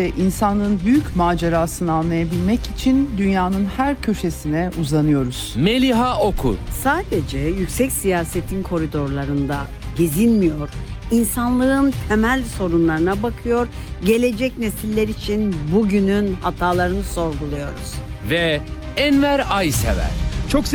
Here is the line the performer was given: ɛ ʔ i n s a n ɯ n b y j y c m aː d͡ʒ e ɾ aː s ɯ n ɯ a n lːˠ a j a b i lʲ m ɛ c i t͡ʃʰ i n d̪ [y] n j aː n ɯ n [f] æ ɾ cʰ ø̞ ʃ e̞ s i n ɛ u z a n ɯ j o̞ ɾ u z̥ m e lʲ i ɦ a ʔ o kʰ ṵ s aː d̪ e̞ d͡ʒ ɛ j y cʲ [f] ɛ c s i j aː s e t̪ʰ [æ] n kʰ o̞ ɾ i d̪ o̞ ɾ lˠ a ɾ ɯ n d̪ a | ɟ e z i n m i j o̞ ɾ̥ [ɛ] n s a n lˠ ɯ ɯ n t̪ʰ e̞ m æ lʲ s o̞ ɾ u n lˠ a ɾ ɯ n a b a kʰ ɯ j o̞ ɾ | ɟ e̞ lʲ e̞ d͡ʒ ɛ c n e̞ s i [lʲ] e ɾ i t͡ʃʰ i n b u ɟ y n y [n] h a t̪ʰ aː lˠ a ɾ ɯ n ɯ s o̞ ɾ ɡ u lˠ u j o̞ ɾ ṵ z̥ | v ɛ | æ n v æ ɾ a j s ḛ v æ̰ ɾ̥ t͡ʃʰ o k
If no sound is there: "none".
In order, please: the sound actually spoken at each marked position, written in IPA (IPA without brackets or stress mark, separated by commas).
y, h, s, i, i, lʲː, n